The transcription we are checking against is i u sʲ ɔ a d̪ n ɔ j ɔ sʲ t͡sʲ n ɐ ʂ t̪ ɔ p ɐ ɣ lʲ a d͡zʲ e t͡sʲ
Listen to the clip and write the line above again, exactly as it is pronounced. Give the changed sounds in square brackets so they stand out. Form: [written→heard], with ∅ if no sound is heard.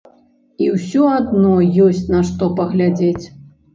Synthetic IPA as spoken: i [u→w] sʲ ɔ a d̪ n ɔ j ɔ sʲ t͡sʲ n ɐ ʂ t̪ ɔ p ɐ ɣ lʲ a d͡zʲ e t͡sʲ